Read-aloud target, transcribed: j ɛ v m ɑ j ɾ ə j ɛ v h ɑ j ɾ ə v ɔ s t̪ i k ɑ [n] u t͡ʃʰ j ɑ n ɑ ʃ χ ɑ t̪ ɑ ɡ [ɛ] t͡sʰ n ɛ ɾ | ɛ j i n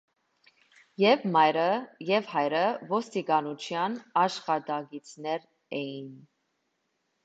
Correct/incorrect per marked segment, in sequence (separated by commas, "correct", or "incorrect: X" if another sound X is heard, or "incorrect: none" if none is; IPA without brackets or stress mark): correct, incorrect: i